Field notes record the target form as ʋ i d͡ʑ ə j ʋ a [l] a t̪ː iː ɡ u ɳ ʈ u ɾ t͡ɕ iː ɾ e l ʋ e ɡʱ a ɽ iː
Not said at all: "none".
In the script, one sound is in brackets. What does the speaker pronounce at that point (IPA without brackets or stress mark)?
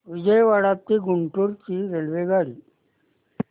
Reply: ɽ